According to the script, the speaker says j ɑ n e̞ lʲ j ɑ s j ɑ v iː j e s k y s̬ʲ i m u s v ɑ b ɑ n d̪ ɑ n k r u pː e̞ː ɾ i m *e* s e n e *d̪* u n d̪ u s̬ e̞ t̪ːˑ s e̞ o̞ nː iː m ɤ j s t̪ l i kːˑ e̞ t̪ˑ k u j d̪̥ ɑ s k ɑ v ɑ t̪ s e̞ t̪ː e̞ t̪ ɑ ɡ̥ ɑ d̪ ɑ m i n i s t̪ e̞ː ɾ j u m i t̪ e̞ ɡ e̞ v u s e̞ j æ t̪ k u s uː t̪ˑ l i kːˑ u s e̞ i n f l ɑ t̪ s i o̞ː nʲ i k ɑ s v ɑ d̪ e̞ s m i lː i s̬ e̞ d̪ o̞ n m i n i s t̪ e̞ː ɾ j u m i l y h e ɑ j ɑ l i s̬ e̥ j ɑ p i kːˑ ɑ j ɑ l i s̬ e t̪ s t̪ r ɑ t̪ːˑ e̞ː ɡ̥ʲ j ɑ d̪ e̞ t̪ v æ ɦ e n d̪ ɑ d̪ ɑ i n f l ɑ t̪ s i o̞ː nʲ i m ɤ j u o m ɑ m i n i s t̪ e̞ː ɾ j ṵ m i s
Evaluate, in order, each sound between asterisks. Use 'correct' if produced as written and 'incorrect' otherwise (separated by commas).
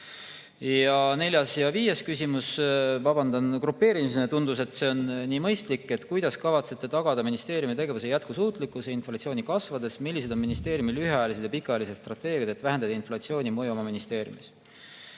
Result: incorrect, incorrect